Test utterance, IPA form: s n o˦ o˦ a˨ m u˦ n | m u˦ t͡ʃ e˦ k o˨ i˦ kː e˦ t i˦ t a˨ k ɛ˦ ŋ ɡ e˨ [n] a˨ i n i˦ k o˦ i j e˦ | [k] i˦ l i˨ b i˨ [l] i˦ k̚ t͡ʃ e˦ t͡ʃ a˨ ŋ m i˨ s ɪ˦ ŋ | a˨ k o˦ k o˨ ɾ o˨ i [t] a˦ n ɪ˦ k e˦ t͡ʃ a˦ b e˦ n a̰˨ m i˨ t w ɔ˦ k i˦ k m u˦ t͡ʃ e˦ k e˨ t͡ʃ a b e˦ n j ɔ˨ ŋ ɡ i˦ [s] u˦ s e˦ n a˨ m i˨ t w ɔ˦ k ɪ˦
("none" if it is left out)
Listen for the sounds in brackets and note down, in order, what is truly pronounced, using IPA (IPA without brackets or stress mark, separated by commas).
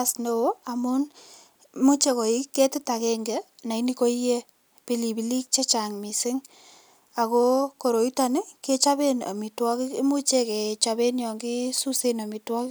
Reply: n, p, l, t, s